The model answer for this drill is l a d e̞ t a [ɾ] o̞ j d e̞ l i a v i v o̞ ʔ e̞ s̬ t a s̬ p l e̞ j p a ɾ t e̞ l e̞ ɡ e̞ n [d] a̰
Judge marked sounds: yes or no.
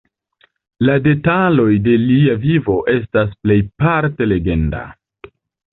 no, yes

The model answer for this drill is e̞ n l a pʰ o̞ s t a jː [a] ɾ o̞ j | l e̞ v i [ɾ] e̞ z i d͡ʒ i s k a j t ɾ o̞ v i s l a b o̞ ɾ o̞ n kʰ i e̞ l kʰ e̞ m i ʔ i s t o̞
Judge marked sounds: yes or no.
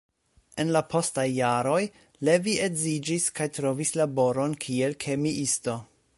yes, no

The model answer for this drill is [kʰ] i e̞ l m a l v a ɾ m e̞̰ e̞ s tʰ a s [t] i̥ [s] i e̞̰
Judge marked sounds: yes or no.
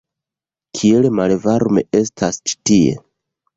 yes, no, no

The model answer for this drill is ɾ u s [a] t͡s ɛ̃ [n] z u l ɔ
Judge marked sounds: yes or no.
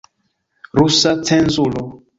yes, yes

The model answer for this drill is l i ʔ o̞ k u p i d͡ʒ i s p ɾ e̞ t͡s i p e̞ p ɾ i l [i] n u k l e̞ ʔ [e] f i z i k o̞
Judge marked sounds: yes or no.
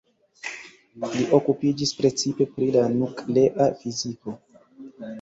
no, no

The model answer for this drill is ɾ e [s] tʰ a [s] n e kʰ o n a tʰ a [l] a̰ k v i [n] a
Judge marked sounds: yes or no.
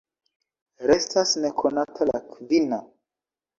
yes, yes, yes, yes

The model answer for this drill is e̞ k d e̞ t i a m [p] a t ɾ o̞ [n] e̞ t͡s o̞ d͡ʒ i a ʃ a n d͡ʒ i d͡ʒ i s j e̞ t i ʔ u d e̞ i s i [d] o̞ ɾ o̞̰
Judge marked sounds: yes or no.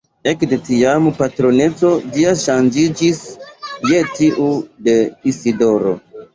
yes, yes, yes

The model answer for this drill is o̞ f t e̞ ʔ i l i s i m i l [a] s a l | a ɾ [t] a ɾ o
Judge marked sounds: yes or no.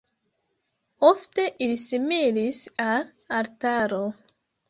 no, yes

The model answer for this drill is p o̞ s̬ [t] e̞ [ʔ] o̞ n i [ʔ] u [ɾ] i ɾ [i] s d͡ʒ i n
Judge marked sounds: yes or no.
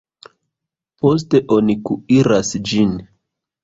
yes, yes, no, no, no

